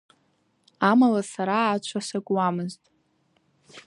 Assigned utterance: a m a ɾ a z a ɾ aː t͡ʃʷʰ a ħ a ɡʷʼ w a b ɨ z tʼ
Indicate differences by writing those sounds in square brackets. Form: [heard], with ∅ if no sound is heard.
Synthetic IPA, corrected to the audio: a m a [l] a [s] a ɾ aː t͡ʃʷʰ a [s] a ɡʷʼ w a [m] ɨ z tʼ